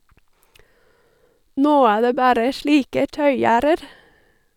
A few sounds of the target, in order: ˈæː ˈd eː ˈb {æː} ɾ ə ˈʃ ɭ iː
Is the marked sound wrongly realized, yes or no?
no